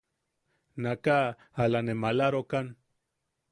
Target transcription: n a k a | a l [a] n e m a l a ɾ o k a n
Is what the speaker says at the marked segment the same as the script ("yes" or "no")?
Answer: yes